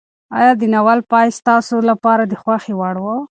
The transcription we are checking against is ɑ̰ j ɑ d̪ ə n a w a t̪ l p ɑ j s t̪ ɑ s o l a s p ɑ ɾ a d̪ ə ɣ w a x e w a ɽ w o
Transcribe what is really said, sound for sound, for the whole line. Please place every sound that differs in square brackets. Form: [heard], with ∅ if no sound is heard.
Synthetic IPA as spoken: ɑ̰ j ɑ d̪ ə n a w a [∅] l p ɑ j s t̪ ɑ s o l a [∅] p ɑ ɾ a d̪ ə [x] w a x e w a ɽ w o

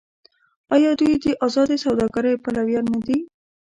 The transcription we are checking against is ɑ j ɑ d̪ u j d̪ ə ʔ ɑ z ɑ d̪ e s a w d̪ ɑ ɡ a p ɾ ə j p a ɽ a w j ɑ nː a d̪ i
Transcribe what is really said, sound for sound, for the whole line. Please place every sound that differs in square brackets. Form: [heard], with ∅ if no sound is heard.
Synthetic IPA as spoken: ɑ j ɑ d̪ u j d̪ ə ʔ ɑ z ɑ d̪ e s a w d̪ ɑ ɡ a [∅] ɾ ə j p a [l] a w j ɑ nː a d̪ i

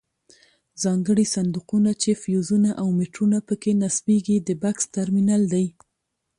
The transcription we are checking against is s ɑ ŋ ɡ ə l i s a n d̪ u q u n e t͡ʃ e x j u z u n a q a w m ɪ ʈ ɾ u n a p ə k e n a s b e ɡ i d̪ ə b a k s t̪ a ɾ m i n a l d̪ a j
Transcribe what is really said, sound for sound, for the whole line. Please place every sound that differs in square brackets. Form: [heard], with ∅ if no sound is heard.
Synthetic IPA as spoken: [z] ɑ ŋ ɡ ə [ɽ] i s a n d̪ u q u n [a] t͡ʃ e [f] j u z u n a [ʔ] a w m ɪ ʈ ɾ u n a p ə k e n a s b e ɡ i d̪ ə b a k s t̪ a ɾ m i n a l d̪ a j

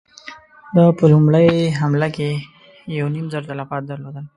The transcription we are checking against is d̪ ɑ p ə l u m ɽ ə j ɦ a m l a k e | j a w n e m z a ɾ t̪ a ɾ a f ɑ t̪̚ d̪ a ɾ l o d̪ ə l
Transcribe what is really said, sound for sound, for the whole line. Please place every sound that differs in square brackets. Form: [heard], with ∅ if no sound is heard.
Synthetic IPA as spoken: d̪ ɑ p ə l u m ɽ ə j ɦ a m l a k e | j a w n [i] m z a ɾ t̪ a [l] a f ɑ t̪̚ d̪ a ɾ l o d̪ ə l

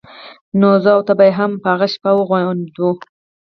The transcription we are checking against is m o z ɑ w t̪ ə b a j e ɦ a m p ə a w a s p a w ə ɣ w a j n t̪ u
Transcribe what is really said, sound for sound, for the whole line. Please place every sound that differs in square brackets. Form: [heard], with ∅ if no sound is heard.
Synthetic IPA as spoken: [n] o z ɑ w t̪ [a] b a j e ɦ a m p ə a [ɣ] a [ʃ] p a w ə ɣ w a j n [d̪] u

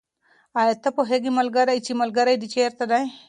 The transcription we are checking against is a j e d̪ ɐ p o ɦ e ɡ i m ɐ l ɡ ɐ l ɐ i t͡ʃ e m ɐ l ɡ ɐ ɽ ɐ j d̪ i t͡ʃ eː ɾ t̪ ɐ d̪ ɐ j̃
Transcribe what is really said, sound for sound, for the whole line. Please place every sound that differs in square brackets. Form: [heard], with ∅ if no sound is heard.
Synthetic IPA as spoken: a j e [t̪] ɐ p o ɦ e ɡ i m ɐ l ɡ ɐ [ɾ] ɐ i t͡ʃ [i] m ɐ l ɡ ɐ [ɾ] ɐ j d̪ i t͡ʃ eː ɾ t̪ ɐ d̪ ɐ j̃

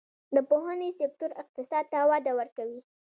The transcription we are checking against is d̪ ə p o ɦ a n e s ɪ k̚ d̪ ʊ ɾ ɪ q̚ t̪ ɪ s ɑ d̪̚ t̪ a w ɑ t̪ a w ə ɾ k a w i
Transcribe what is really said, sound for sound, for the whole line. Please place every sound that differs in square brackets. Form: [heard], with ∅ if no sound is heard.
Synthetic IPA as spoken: d̪ ə p o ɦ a n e s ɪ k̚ [t̪] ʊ ɾ ɪ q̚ t̪ ɪ s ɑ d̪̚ t̪ a w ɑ [d̪] a w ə ɾ k a w i

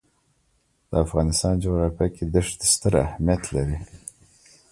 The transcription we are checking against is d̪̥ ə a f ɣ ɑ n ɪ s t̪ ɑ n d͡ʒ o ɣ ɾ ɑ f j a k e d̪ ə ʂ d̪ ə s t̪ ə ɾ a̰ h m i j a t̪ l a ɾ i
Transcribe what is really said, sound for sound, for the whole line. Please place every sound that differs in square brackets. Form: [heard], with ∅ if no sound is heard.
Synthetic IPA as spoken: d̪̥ ə a f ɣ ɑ n ɪ s t̪ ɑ n d͡ʒ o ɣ ɾ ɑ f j a k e d̪ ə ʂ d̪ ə s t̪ ə ɾ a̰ h m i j a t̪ l a ɾ i

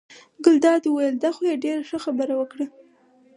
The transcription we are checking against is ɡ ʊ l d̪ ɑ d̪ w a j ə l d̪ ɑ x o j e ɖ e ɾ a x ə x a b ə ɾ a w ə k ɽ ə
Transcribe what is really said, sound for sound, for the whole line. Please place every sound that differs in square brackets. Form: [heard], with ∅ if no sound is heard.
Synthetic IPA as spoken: ɡ ʊ l d̪ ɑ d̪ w a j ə l d̪ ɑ x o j e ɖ e ɾ a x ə x a b ə ɾ a w ə k ɽ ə

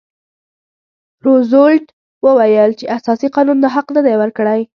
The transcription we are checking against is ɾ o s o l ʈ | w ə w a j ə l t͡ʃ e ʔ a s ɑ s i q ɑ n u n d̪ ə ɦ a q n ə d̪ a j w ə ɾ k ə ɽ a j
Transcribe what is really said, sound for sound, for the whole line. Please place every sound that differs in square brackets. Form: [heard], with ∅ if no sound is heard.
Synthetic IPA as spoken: ɾ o [z] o l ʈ | w ə w a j ə l t͡ʃ e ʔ a s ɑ s i q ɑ n u n d̪ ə ɦ a q n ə d̪ a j w ə ɾ k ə ɽ a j

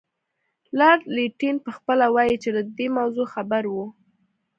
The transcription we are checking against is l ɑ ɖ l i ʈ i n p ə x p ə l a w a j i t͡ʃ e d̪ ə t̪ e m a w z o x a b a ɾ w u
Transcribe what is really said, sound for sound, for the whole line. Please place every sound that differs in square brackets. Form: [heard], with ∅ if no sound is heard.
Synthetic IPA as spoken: l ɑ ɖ l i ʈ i n p ə x p ə l a w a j i t͡ʃ e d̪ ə [d̪] e m a w z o x a b a ɾ w u

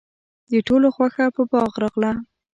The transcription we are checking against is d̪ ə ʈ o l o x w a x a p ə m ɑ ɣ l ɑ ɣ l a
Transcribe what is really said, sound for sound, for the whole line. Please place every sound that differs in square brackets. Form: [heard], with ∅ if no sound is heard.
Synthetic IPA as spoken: d̪ ə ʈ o l o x w a x a p ə [b] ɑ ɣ [ɾ] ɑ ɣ l a

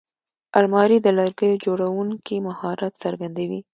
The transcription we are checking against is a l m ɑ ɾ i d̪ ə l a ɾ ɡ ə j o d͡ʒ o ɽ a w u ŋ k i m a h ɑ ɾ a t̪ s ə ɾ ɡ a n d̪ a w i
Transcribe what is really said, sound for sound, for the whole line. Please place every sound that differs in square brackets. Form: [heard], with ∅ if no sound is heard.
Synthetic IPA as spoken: a l m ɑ ɾ i d̪ ə l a ɾ ɡ ə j o d͡ʒ o ɽ a w u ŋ k i m a h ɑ ɾ a t̪ s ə ɾ ɡ a n d̪ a w i

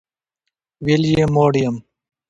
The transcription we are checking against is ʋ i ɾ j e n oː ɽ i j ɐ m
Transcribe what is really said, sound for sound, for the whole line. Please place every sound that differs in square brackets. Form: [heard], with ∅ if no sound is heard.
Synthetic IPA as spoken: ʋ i [l] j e [m] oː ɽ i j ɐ m

